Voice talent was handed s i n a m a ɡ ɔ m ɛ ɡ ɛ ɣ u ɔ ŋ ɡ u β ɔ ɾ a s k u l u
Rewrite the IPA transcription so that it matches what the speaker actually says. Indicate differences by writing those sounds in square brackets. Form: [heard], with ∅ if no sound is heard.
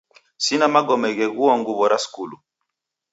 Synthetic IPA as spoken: s i n a m a ɡ ɔ m ɛ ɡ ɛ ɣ u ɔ ŋ ɡ u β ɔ ɾ a s k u l u